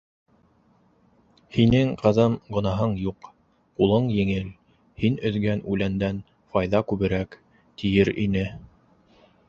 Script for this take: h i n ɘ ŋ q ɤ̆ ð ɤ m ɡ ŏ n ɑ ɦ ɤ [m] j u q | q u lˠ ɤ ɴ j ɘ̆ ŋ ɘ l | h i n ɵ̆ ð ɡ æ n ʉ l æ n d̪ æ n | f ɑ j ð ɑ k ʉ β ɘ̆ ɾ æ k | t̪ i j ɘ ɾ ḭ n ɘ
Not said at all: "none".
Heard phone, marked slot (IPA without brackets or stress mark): ɴ